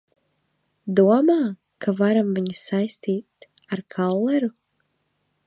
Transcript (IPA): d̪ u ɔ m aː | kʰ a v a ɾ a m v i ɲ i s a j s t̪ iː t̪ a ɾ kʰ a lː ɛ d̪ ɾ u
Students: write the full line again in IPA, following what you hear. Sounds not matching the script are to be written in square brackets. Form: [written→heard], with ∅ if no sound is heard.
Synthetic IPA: d̪ u ɔ m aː | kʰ a v a ɾ a m v i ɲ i s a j s t̪ iː t̪ a ɾ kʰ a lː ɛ [d̪→∅] ɾ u